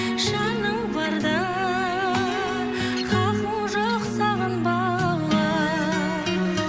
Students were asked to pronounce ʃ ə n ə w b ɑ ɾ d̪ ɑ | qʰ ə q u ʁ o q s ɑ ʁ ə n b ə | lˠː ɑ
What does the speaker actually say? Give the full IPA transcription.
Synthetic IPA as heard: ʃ ɑ n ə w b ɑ ɾ d̪ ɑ | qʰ ɑ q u ʒ o q s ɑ ʁ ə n b ɑ | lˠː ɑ